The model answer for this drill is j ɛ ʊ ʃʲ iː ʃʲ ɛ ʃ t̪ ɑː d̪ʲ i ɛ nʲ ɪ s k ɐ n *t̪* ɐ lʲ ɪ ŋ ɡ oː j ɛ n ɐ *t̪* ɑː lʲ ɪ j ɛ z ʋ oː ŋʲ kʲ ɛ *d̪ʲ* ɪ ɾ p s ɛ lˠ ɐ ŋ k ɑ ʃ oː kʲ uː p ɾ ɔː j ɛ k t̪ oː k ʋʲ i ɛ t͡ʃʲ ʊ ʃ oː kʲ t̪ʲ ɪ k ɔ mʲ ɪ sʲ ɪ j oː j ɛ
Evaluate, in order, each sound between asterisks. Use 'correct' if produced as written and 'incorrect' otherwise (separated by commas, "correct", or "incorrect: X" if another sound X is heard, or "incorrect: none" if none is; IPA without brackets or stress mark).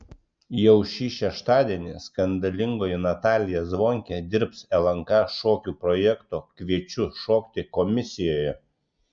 incorrect: d̪, correct, correct